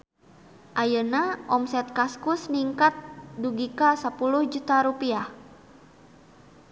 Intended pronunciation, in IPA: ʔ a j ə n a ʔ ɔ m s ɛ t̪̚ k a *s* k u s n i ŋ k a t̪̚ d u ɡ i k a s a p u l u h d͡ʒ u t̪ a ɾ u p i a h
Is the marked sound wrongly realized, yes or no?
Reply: no